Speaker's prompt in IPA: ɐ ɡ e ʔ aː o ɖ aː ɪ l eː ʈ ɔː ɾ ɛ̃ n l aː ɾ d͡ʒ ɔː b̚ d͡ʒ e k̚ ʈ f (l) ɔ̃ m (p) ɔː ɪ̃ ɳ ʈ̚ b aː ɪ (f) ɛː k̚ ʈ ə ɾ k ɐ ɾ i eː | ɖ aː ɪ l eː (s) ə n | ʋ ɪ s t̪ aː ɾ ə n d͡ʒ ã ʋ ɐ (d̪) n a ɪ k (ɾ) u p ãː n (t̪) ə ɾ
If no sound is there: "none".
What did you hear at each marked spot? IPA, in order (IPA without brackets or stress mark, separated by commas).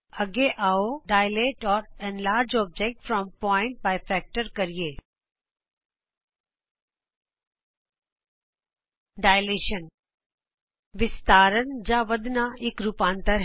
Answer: ɾ, p, f, ʃ, d̪, ɾ, t̪